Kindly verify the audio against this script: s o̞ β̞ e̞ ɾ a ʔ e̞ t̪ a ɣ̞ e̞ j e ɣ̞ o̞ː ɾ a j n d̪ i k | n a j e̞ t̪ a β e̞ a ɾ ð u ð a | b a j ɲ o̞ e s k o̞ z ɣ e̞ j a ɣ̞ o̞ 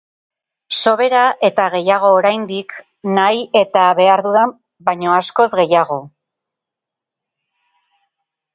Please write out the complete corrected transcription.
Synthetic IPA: s o̞ β̞ e̞ ɾ a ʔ e̞ t̪ a ɣ̞ e̞ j a ɣ̞ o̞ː ɾ a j n d̪ i k | n a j e̞ t̪ a β e̞ a ɾ ð u ð a | b a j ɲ o̞ a s k o̞ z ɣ e̞ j a ɣ̞ o̞